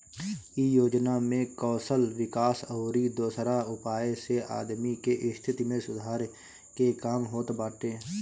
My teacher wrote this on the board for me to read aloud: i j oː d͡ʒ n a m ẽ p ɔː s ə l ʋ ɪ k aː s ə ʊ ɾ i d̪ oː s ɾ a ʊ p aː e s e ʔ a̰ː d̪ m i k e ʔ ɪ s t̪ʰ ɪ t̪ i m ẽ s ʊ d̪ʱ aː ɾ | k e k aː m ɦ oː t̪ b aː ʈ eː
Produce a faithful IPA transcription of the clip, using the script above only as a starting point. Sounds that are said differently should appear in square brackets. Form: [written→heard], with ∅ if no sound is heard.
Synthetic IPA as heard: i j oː d͡ʒ n a m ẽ [p→k] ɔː s ə l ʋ ɪ k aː s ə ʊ ɾ i d̪ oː s ɾ a ʊ p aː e s e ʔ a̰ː d̪ m i k e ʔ ɪ s t̪ʰ ɪ t̪ i m ẽ s ʊ d̪ʱ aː ɾ | k e k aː m ɦ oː t̪ b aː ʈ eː